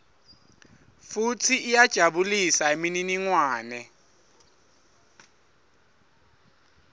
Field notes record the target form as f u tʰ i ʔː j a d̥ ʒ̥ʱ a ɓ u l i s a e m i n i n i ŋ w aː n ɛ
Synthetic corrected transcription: f u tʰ i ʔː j a d̥ ʒ̥ʱ a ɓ u l i s a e m i n i n i ŋ w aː n ɛ